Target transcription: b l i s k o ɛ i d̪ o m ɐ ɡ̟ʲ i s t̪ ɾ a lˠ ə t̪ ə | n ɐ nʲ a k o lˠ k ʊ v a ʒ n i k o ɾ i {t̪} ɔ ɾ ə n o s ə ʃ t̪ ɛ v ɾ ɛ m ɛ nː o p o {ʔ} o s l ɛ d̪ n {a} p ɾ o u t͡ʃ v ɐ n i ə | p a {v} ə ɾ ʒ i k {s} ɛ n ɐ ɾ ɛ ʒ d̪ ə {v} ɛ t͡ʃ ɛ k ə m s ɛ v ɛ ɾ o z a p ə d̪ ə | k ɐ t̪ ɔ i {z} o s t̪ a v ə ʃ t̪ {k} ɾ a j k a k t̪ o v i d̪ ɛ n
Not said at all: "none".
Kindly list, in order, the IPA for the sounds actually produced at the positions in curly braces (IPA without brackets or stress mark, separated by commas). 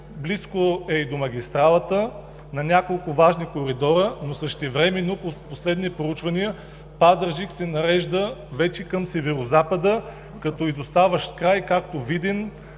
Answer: d̪, p, i, z, s, v, z, k